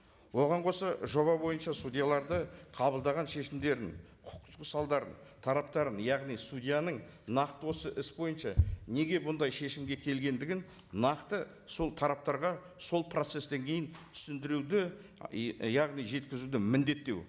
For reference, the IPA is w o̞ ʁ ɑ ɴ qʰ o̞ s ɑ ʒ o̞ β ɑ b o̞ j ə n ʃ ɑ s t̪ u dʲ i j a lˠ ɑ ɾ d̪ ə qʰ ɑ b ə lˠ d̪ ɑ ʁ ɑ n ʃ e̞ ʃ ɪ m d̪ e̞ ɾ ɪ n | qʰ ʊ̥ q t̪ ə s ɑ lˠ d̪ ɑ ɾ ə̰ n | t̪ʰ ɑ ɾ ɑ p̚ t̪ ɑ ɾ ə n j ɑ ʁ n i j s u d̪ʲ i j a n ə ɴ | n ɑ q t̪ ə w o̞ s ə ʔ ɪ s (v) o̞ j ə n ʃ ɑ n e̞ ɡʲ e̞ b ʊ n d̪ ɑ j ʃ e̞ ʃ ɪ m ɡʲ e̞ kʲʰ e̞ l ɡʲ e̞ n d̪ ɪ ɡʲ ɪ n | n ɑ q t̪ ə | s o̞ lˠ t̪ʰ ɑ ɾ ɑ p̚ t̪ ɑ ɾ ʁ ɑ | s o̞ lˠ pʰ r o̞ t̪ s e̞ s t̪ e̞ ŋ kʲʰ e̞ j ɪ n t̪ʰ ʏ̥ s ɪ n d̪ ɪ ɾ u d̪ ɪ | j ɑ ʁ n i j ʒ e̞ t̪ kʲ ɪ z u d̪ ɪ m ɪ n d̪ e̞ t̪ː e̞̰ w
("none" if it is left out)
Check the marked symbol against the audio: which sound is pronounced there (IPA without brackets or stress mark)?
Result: b